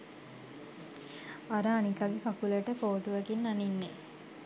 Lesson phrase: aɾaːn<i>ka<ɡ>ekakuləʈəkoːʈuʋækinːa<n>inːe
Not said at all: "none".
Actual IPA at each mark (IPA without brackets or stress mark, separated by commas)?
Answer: i, ɡ, n